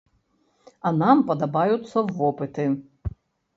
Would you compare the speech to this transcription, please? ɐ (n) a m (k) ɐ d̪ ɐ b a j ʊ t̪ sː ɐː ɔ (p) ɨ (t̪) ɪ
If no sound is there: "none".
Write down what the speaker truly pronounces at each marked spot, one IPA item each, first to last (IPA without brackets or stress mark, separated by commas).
n, p, p, t̪